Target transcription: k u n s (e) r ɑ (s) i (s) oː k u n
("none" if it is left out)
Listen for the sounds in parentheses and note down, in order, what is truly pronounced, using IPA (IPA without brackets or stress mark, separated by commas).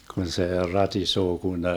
e, t, s